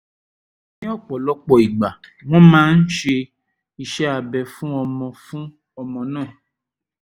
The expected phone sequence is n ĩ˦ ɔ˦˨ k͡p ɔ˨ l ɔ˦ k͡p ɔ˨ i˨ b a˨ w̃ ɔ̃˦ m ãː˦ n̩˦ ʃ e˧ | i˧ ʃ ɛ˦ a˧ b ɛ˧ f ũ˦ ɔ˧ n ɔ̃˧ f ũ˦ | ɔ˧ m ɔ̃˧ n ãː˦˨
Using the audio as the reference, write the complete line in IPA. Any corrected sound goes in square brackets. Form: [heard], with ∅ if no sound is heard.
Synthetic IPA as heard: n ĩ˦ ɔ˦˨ k͡p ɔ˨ l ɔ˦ k͡p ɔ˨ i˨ [ɡ͡b] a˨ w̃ ɔ̃˦ m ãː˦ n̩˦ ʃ e˧ | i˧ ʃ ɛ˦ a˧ b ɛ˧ f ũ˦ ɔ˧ [m] ɔ̃˧ f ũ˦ | ɔ˧ m ɔ̃˧ n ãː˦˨